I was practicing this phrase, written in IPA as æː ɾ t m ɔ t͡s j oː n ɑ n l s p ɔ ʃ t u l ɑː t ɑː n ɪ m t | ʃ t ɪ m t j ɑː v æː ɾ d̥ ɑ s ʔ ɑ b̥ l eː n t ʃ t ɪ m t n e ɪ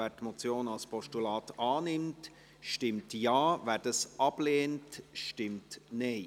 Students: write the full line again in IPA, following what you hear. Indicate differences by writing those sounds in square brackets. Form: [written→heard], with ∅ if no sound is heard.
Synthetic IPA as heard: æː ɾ t m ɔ t͡s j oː n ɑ [n→∅] l s p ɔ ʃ t u l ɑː t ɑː n ɪ m t | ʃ t ɪ m t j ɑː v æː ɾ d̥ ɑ s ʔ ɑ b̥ l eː n t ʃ t ɪ m t n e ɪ